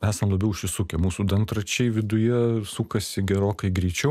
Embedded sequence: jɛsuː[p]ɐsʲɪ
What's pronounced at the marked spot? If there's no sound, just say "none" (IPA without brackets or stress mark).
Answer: k